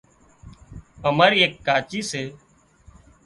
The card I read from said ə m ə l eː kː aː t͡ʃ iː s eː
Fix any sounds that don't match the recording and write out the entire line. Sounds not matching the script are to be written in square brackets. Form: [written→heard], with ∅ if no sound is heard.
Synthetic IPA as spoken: ə m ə [l→ɾ] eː kː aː t͡ʃ iː s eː